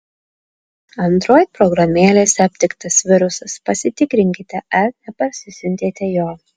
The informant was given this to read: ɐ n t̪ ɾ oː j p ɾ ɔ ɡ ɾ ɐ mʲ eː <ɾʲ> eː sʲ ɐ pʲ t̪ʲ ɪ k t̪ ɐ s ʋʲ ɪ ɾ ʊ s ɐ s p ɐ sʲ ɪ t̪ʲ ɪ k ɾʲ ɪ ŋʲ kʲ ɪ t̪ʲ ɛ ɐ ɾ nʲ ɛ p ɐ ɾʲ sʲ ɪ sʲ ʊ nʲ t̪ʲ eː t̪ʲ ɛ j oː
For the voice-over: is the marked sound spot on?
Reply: no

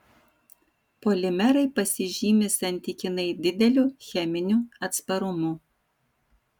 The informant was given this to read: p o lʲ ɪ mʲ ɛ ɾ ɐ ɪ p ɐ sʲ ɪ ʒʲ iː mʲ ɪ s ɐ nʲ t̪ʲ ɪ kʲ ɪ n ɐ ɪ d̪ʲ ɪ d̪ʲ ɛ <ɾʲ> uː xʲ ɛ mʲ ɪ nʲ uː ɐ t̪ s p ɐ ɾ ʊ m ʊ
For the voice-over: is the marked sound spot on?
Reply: no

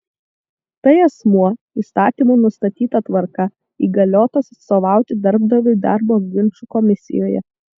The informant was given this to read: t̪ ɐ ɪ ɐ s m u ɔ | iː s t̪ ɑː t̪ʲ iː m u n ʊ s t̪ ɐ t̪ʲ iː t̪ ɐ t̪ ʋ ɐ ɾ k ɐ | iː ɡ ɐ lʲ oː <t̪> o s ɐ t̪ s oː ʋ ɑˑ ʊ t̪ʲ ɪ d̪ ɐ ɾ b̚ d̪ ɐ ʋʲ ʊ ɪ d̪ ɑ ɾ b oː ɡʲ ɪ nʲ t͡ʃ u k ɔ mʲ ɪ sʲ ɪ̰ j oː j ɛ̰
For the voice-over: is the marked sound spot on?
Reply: yes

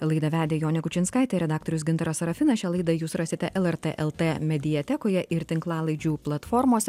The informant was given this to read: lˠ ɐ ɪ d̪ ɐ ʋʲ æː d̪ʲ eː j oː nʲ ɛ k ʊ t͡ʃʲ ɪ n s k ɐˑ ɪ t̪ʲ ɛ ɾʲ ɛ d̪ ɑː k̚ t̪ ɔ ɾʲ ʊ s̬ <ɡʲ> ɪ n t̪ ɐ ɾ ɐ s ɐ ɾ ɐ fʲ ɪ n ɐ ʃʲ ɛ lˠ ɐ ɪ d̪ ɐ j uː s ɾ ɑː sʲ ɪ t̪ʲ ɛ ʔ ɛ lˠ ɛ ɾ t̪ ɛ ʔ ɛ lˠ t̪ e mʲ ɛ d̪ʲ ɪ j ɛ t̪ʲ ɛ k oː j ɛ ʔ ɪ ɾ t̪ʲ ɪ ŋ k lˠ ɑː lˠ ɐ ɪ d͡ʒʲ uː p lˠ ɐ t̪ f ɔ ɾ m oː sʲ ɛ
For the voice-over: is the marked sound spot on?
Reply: yes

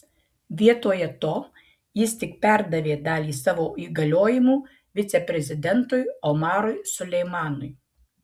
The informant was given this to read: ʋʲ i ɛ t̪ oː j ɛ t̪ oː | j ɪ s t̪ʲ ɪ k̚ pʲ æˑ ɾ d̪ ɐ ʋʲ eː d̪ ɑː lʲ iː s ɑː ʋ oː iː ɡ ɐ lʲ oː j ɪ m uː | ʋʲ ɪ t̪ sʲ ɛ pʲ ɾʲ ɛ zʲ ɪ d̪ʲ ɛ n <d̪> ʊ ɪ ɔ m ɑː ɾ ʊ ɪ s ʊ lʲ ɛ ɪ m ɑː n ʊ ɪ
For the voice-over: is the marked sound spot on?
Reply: no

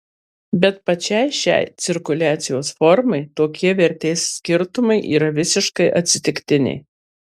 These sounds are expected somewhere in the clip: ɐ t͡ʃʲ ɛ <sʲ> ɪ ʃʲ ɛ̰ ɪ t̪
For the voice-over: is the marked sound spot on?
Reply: no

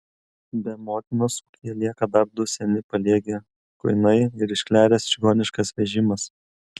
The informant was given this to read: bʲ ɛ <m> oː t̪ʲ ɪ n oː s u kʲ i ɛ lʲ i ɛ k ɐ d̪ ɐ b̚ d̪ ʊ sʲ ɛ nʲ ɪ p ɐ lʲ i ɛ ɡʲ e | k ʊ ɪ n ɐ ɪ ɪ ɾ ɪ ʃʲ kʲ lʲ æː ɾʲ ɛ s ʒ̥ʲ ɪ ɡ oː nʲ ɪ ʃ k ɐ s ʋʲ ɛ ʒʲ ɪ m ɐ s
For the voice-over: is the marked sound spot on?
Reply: yes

